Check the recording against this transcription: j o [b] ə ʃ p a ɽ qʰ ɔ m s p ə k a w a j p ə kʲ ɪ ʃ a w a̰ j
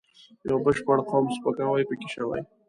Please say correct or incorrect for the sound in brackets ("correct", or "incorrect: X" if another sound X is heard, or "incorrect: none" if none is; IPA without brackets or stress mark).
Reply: correct